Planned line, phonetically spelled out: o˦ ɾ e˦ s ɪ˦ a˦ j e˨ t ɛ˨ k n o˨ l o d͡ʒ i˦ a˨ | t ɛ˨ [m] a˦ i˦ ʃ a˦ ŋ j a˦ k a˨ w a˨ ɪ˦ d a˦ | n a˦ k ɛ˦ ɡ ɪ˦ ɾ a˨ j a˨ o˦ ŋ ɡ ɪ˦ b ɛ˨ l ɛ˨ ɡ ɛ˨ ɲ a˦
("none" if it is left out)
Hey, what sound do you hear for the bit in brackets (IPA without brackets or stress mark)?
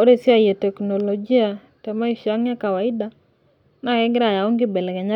m